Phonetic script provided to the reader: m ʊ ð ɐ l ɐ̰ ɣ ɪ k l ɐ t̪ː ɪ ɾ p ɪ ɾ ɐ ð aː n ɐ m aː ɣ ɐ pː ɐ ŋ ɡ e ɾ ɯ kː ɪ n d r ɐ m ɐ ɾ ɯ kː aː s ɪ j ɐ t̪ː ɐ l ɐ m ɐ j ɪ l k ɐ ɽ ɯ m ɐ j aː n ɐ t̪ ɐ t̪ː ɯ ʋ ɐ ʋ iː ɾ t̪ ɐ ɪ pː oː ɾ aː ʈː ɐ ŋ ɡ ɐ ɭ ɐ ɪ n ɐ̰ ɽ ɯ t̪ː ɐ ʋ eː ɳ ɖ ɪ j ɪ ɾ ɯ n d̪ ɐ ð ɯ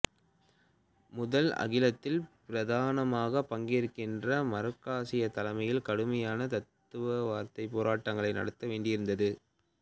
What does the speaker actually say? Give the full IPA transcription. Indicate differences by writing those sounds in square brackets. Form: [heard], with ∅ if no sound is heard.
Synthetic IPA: m ʊ ð ɐ l ɐ̰ ɣ ɪ [∅] l ɐ t̪ː ɪ [l] p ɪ ɾ ɐ ð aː n ɐ m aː ɣ ɐ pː ɐ ŋ ɡ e ɾ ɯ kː ɪ n d r ɐ m ɐ ɾ ɯ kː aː s ɪ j ɐ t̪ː ɐ l ɐ m ɐ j ɪ l k ɐ ɽ ɯ m ɐ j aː n ɐ t̪ ɐ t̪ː ɯ ʋ ɐ ʋ [aː] ɾ t̪ ɐ ɪ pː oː ɾ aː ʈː ɐ ŋ ɡ ɐ ɭ ɐ ɪ n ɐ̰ ɽ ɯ t̪ː ɐ ʋ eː ɳ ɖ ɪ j ɪ ɾ ɯ n d̪ ɐ ð ɯ

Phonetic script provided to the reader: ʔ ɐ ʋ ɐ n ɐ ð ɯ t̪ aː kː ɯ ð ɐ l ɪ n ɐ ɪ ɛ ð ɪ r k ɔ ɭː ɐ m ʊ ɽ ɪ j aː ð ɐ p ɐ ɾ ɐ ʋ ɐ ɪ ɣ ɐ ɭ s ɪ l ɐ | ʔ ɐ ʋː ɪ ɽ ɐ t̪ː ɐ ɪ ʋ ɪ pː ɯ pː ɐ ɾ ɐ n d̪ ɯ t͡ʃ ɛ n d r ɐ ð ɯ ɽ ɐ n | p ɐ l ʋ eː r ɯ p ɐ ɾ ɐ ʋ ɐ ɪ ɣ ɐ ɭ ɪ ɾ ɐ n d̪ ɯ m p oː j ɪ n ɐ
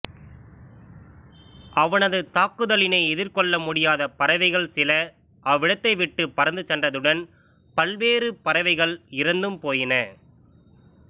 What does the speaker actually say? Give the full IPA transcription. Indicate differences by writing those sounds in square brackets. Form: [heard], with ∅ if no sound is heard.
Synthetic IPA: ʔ ɐ ʋ ɐ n ɐ ð ɯ t̪ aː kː ɯ ð ɐ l ɪ n ɐ ɪ ɛ ð ɪ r k ɔ ɭː ɐ m ʊ ɽ ɪ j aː ð ɐ p ɐ ɾ ɐ ʋ ɐ ɪ ɣ ɐ ɭ s ɪ l ɐ | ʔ ɐ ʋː ɪ ɽ ɐ t̪ː ɐ ɪ ʋ ɪ [ʈː] ɯ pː ɐ ɾ ɐ n d̪ ɯ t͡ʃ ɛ n d r ɐ ð ɯ ɽ ɐ n | p ɐ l ʋ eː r ɯ p ɐ ɾ ɐ ʋ ɐ ɪ ɣ ɐ ɭ ɪ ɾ ɐ n d̪ ɯ m p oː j ɪ n ɐ

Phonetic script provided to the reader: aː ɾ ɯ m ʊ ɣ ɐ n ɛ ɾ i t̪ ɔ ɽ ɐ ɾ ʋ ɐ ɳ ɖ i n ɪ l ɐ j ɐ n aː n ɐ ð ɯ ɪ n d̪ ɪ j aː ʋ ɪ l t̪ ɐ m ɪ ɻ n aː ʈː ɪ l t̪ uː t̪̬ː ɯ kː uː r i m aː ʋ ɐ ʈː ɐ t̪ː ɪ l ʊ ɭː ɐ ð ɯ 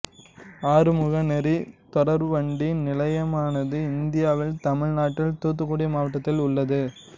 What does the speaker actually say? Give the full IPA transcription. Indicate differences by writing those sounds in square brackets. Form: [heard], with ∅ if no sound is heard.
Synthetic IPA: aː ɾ ɯ m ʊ ɣ ɐ n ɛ ɾ i t̪ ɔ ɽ ɐ ɾ ʋ ɐ ɳ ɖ i n ɪ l ɐ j ɐ [m] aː n ɐ ð ɯ ɪ n d̪ ɪ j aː ʋ ɪ l t̪ ɐ m ɪ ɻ n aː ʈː ɪ l t̪ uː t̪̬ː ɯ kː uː [ɽ] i m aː ʋ ɐ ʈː ɐ t̪ː ɪ l ʊ ɭː ɐ ð ɯ

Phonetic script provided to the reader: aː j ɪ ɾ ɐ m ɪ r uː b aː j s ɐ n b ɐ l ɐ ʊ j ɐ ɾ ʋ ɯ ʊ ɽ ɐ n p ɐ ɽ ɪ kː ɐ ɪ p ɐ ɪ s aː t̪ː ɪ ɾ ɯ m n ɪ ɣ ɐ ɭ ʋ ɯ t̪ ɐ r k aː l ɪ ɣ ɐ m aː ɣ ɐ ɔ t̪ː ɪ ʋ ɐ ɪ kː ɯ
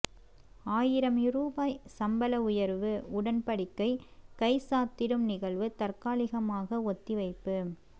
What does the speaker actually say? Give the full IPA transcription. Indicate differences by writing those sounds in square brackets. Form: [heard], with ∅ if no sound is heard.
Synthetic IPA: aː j ɪ ɾ ɐ m ɪ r uː b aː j s ɐ [m] b ɐ l ɐ ʊ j ɐ ɾ ʋ ɯ ʊ ɽ ɐ n p ɐ ɽ ɪ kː ɐ ɪ [k] ɐ ɪ s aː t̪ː ɪ ɾ ɯ m n ɪ ɣ ɐ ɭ ʋ ɯ t̪ ɐ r k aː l ɪ ɣ ɐ m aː ɣ ɐ ɔ t̪ː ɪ ʋ ɐ ɪ [pː] ɯ

